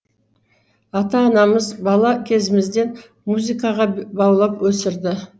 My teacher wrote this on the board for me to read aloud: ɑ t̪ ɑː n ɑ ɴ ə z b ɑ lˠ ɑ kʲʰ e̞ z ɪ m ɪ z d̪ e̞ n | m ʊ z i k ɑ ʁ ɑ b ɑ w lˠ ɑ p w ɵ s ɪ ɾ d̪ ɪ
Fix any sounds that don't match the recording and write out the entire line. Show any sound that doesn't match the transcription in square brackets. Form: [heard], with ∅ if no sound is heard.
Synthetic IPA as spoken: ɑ t̪ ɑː n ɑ [m] ə z b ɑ lˠ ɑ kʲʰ e̞ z ɪ m ɪ z d̪ e̞ n | m [u] z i k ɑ ʁ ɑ b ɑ w lˠ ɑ p w ɵ s ɪ ɾ d̪ ɪ